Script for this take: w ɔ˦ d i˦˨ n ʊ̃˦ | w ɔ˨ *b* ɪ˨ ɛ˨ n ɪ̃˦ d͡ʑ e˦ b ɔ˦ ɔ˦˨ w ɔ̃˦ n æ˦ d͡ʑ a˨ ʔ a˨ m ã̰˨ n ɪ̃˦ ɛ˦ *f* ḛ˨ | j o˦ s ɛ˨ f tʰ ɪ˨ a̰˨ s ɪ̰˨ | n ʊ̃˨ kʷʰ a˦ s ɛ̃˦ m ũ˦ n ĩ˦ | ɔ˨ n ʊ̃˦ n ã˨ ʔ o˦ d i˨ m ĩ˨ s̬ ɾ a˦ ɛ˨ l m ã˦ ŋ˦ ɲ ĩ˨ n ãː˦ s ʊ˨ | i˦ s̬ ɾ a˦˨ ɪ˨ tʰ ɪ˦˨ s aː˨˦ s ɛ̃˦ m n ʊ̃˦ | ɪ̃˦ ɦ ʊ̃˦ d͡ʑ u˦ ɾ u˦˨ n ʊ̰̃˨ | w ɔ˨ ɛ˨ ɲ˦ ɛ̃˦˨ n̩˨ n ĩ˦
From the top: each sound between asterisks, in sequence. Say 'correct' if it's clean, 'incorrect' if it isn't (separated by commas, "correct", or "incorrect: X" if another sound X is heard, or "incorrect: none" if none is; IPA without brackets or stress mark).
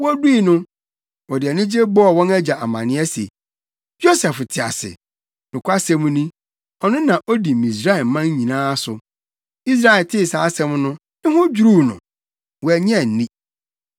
incorrect: d, incorrect: s